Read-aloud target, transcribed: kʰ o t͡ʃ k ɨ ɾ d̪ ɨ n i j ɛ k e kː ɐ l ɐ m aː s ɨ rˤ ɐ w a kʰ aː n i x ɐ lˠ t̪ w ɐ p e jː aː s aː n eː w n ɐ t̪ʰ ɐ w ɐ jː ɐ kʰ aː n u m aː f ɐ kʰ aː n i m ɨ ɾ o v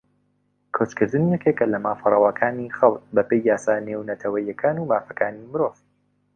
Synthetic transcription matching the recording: kʰ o t͡ʃ k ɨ ɾ d̪ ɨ n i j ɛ k e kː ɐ l ɐ m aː f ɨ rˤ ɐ w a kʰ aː n i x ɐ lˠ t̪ b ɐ p e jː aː s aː n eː w n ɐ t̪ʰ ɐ w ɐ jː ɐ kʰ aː n u m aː f ɐ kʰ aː n i m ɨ ɾ o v

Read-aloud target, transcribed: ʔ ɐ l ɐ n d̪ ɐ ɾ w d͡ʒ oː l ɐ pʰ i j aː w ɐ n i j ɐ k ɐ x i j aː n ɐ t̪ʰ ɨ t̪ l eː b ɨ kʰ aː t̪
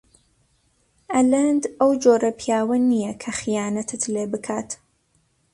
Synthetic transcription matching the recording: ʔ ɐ l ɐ n d̪ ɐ w d͡ʒ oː ɾ ɐ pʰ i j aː w ɐ n i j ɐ kʰ ɐ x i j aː n ɐ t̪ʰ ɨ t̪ l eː b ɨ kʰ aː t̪

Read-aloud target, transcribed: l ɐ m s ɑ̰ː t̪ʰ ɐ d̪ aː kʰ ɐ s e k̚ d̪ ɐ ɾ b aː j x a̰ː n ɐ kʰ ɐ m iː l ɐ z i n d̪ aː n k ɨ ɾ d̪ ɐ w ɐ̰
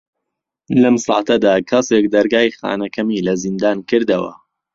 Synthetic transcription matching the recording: l ɐ m s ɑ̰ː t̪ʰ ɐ d̪ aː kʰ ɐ s e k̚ d̪ ɐ ɾ ɡ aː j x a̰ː n ɐ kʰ ɐ m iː l ɐ z i n d̪ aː n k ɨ ɾ d̪ ɐ w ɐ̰

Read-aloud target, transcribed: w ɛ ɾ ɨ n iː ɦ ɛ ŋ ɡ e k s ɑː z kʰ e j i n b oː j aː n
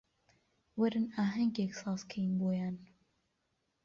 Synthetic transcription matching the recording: w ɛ ɾ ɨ n aː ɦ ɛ ŋ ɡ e k s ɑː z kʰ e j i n b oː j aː n

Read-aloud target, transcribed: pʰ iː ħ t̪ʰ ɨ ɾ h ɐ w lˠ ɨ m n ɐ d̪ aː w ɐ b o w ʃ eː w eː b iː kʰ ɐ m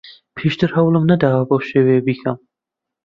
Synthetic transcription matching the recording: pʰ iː ʃ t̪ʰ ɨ ɾ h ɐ w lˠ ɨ m n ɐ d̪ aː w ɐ b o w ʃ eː w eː b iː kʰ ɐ m

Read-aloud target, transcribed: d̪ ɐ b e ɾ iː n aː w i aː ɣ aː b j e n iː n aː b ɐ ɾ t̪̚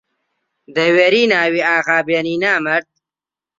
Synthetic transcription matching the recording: d̪ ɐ w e ɾ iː n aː w i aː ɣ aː b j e n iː n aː m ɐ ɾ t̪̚

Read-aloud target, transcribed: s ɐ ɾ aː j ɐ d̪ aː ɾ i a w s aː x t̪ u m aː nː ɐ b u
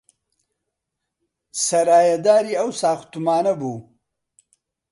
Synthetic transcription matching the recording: s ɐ ɾ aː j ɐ d̪ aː ɾ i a w s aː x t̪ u m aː n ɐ b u

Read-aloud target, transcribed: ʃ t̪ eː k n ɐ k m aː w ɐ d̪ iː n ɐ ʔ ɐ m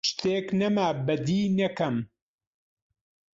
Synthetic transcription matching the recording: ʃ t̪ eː k n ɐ m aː b ɐ d̪ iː n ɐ k ɐ m

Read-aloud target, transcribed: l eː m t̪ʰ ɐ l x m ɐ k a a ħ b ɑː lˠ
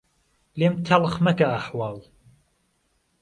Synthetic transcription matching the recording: l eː m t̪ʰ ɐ l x m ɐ k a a ħ w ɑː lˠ

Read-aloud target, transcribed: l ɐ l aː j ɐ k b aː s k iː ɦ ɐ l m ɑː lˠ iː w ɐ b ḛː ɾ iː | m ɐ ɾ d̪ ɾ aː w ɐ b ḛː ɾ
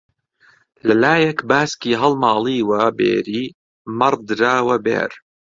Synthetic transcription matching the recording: l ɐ l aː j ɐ k b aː s k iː ɦ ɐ l m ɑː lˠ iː w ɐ b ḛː ɾ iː | m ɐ ɾ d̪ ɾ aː w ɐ b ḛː ɾ

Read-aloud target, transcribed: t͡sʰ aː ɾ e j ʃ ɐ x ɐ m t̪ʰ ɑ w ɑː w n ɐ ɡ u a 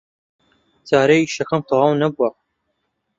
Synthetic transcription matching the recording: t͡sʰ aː ɾ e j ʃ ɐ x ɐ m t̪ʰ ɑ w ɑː w n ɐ b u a

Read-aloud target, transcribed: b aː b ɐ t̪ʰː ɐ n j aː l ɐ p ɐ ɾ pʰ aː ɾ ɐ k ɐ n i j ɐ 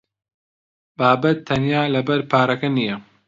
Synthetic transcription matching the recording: b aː b ɐ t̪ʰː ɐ n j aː l ɐ b ɐ ɾ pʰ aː ɾ ɐ k ɐ n i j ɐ

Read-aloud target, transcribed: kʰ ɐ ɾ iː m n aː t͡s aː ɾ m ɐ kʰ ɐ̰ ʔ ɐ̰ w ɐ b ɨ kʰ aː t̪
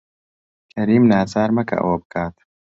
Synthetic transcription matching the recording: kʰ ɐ ɾ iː m n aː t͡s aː ɾ m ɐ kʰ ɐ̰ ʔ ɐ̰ w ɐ b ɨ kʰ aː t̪

